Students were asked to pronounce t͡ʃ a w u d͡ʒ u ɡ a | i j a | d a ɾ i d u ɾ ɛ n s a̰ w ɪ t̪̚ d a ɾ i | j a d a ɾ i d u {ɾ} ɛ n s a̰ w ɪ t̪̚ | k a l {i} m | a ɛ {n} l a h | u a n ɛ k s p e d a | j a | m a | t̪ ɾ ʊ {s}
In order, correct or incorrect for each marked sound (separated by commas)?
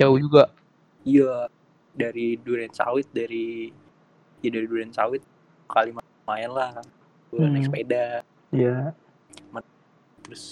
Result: correct, correct, correct, correct